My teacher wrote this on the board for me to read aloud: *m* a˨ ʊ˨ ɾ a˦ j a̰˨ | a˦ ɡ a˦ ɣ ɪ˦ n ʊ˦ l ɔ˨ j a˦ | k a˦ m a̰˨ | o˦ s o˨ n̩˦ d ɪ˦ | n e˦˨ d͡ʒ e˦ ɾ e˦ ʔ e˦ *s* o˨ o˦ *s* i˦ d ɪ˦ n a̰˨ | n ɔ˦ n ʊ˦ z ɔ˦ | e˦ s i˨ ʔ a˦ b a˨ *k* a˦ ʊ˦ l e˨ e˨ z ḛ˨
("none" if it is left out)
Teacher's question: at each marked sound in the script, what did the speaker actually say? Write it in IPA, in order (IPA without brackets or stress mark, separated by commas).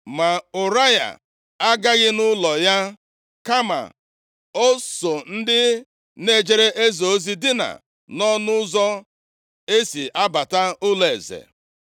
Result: m, z, z, t